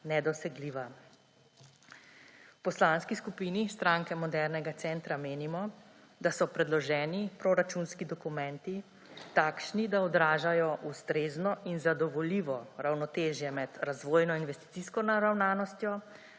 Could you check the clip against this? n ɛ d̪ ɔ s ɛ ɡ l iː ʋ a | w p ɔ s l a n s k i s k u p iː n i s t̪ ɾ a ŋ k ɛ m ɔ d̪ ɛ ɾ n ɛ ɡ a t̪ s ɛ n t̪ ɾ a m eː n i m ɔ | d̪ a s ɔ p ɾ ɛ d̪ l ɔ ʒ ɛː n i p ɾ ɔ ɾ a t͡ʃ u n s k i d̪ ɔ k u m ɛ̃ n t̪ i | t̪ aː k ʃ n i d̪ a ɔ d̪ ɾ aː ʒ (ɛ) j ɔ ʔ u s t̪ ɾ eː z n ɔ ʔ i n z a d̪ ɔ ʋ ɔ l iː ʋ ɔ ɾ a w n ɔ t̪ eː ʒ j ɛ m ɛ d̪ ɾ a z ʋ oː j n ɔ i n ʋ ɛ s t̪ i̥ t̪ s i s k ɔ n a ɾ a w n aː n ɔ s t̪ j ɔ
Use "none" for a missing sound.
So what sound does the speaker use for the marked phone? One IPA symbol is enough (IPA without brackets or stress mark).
a